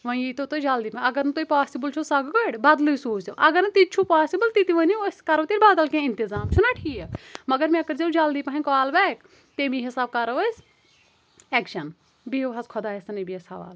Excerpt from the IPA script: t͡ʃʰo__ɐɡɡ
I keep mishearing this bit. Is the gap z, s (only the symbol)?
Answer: s